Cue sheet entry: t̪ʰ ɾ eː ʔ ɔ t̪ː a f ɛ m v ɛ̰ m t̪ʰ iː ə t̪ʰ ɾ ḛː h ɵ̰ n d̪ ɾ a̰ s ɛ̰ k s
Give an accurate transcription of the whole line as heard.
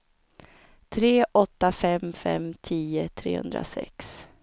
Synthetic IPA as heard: t̪ʰ ɾ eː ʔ ɔ t̪ː a f ɛ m f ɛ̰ m t̪ʰ iː ə t̪ʰ ɾ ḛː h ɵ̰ n d̪ ɾ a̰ s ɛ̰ k s